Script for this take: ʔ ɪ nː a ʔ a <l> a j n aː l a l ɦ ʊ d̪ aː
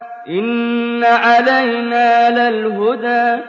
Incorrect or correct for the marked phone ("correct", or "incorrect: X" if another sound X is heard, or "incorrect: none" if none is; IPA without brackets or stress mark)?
correct